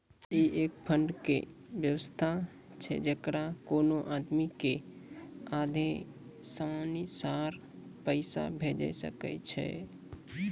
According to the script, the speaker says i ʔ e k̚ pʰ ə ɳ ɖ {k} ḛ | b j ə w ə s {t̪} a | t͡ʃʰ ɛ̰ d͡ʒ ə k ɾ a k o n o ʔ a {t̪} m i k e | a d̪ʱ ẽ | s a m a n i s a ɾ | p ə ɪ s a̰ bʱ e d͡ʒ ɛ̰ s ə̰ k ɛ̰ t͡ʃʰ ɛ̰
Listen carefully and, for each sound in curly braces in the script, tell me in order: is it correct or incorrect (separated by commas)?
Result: correct, incorrect, incorrect